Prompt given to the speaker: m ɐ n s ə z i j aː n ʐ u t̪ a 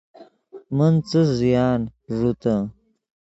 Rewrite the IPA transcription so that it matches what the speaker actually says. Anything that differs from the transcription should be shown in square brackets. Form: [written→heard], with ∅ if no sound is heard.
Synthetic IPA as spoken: m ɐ n [s→t͡s] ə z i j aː n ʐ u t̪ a